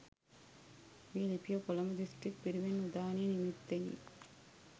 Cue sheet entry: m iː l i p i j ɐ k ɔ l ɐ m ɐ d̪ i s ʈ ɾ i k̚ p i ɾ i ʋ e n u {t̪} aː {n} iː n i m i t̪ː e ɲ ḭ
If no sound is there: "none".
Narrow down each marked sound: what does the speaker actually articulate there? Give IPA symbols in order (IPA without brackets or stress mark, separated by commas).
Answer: d̪, n